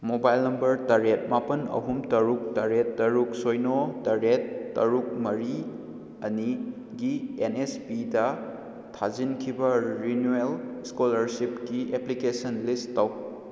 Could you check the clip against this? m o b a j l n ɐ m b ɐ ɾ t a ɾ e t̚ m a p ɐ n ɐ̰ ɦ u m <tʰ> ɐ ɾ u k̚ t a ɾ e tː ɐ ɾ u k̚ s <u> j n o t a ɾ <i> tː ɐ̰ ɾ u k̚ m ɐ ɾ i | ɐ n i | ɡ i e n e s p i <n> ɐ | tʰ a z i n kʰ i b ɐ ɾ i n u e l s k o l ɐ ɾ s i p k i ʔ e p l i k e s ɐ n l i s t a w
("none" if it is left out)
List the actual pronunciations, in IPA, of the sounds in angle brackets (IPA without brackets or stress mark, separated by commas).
t, o, e, d